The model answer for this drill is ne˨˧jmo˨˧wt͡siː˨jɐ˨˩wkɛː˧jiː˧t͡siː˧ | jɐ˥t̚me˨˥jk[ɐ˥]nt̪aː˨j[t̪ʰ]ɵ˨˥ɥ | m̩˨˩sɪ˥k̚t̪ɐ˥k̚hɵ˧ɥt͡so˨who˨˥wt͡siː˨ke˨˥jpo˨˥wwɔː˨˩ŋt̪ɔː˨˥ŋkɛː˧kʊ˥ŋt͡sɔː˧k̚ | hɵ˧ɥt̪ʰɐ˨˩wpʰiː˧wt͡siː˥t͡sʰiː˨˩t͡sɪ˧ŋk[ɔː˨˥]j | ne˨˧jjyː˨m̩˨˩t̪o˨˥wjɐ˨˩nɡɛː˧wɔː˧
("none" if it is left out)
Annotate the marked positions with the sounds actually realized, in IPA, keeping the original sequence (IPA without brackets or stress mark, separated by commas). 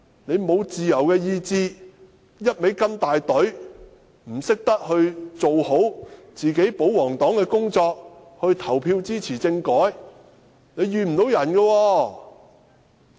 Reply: ɐ˥, t̪, ɔː˨˥